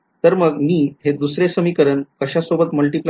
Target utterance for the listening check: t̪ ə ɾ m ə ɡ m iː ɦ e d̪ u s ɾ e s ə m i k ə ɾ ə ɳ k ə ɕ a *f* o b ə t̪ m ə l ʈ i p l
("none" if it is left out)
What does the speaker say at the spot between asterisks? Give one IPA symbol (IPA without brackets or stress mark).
s